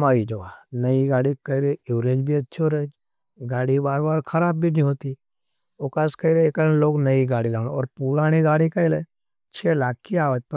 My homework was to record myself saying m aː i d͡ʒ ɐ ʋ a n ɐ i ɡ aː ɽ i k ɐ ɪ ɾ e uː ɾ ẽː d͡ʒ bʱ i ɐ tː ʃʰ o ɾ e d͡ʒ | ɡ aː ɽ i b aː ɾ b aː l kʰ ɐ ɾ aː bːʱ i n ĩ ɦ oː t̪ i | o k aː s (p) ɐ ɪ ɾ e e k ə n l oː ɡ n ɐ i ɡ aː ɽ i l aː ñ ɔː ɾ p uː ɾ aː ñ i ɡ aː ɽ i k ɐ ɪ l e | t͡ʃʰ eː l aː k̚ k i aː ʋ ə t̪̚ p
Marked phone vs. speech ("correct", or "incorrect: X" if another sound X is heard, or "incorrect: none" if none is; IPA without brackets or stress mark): incorrect: k